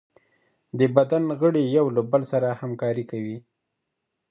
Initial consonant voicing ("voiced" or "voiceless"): voiced